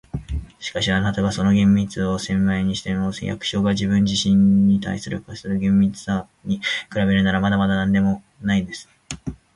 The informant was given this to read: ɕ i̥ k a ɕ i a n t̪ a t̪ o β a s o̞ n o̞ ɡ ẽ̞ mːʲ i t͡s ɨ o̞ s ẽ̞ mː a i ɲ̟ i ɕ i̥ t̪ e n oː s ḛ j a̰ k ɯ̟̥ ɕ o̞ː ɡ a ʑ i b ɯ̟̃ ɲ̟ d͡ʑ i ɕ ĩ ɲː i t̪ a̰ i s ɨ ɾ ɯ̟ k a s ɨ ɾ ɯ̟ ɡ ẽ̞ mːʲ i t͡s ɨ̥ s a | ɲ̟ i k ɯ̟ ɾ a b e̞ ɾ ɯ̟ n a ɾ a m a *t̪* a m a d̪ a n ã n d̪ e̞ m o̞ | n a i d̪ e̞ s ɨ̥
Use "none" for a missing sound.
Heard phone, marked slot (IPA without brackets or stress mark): d̪